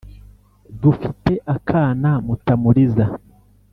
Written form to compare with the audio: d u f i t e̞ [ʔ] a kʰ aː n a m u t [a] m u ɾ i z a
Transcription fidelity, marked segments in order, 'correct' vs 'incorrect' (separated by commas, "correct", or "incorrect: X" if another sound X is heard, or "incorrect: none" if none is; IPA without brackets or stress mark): correct, correct